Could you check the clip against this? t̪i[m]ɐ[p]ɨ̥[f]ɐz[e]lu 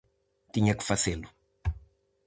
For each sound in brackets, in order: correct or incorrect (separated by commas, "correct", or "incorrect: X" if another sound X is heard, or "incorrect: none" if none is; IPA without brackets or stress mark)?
incorrect: ɲ, incorrect: k, correct, correct